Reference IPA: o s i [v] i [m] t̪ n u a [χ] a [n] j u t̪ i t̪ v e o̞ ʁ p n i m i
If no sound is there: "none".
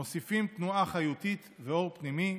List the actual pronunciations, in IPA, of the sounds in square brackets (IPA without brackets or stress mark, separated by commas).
f, m, χ, none